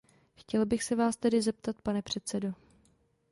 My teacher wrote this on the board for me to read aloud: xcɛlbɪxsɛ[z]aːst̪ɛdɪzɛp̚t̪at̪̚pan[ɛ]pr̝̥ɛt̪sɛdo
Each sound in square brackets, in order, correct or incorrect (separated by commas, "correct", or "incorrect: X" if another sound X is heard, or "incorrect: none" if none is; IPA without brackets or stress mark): incorrect: v, correct